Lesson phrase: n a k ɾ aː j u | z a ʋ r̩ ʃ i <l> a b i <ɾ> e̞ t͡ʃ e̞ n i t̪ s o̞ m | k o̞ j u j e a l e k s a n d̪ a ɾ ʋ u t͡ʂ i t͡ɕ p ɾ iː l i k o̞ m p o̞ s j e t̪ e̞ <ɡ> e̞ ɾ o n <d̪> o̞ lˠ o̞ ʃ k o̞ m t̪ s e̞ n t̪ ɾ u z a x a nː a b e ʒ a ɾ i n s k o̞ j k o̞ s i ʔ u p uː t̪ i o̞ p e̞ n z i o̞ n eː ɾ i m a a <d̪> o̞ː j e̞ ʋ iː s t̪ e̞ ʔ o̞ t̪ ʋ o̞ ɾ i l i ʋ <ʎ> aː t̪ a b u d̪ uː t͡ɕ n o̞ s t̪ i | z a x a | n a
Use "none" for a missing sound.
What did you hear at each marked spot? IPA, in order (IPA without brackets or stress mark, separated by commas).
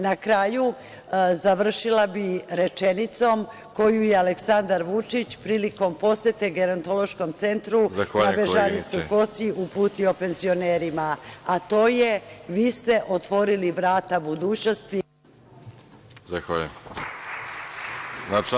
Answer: l, ɾ, ɡ, t̪, t̪, ɾ